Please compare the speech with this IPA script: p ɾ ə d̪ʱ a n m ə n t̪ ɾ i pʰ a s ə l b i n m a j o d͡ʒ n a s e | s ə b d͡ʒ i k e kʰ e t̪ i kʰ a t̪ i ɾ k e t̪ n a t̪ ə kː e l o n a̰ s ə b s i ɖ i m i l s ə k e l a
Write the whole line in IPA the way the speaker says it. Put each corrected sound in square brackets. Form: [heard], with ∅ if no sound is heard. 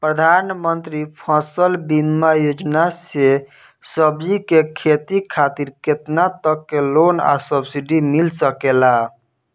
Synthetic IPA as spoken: p ɾ ə d̪ʱ a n m ə n t̪ ɾ i pʰ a s ə l b i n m a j o d͡ʒ n a s e | s ə b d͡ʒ i k e kʰ e t̪ i kʰ a t̪ i ɾ k e t̪ n a t̪ ə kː e l o n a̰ s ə b s i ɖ i m i l s ə k e l a